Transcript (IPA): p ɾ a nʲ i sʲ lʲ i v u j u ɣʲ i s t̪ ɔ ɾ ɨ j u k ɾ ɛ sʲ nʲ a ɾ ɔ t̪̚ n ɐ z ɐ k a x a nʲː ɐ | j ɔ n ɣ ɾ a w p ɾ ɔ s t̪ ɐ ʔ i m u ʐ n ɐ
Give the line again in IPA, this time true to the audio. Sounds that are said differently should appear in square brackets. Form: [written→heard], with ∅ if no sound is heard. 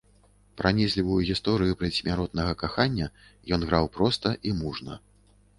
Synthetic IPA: p ɾ a nʲ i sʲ lʲ i v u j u ɣʲ i s t̪ ɔ ɾ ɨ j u [k→p] ɾ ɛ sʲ [nʲ→mʲ] a ɾ ɔ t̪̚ n ɐ [z→ɣ] ɐ k a x a nʲː ɐ | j ɔ n ɣ ɾ a w p ɾ ɔ s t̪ ɐ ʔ i m u ʐ n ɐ